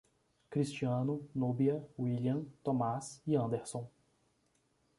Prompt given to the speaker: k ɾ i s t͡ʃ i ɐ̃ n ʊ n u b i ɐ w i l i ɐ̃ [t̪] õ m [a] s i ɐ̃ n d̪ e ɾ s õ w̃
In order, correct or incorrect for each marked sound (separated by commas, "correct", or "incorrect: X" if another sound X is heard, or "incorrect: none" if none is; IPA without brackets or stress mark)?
correct, correct